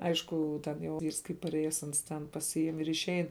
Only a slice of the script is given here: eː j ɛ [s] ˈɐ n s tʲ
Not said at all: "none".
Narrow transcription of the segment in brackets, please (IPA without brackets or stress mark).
s